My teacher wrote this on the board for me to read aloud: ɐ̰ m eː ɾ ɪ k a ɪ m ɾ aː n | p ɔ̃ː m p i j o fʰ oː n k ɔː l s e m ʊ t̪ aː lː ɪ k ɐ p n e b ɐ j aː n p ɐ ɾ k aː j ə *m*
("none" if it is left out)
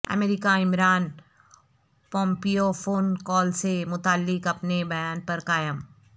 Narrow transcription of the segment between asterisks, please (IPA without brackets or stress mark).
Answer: m